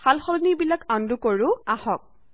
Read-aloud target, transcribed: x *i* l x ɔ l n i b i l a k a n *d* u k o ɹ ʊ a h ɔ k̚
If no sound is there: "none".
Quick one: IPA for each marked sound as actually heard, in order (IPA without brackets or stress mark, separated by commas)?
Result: a, d